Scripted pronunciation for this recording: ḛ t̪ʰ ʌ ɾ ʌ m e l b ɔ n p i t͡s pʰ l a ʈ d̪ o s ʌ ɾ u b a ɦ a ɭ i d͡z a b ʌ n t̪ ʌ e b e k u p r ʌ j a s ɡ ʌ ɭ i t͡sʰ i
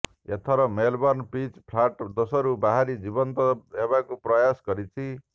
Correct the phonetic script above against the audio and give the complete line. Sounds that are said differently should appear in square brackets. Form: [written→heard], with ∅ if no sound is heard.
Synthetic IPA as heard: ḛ t̪ʰ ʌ ɾ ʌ m e l b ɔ n p i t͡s pʰ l a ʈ d̪ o s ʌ ɾ u b a ɦ a [ɭ→ɾ] i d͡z [a→i] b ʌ n t̪ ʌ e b [e→a] k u p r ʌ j a s ɡ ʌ [ɭ→ɾ] i t͡sʰ i